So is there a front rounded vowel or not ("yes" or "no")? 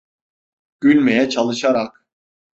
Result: yes